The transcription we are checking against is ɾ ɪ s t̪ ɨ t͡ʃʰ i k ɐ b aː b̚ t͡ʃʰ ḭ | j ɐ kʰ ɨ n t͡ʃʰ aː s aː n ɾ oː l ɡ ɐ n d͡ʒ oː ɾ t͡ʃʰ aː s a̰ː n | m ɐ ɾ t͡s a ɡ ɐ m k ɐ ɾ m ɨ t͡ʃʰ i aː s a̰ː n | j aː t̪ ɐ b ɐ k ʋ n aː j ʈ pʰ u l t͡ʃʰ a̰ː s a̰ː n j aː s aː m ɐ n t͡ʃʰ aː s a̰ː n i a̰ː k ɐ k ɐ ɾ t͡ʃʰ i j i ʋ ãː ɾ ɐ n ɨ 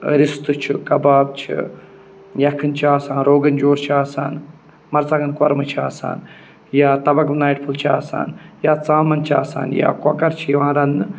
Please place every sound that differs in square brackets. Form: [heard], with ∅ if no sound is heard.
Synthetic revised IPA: ɾ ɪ s t̪ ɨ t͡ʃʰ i k ɐ b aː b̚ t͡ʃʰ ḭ | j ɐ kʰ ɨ n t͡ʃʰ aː s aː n ɾ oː [∅] ɡ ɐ n d͡ʒ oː ɾ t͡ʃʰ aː s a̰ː n | m ɐ ɾ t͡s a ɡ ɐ [n] k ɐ ɾ m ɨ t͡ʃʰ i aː s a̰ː n | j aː t̪ ɐ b ɐ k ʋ n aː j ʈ pʰ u l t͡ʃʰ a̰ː s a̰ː n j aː [t͡s] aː m ɐ n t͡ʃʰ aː s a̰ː n [j] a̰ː k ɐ k ɐ ɾ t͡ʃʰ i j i ʋ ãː ɾ ɐ n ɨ